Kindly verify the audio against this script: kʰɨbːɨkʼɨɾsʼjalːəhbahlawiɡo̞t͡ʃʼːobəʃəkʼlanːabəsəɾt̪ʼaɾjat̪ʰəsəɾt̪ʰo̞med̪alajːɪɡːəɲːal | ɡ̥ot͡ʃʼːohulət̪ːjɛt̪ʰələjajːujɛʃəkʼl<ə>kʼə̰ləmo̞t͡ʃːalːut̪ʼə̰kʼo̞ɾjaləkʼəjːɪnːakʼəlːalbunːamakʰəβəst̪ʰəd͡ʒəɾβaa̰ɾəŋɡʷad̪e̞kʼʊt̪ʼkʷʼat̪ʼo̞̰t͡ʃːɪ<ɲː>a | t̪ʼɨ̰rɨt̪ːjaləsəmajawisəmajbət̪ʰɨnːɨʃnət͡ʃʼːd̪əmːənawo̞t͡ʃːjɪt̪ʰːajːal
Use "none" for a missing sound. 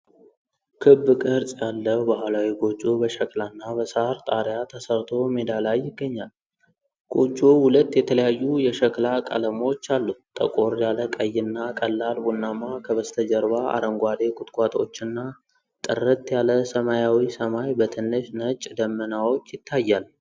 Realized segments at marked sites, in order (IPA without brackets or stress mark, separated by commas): a, nː